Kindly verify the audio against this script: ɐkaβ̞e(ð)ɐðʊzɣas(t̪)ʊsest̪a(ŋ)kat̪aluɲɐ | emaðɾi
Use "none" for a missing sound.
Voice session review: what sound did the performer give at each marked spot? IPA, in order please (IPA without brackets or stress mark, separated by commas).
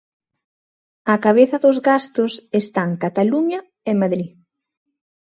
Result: θ, t̪, ŋ